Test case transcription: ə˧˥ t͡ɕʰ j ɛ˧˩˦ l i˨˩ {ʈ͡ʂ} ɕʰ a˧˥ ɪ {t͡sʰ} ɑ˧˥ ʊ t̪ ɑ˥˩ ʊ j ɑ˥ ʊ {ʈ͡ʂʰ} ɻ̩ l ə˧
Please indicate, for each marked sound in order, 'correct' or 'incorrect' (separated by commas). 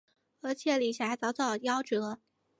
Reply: incorrect, incorrect, incorrect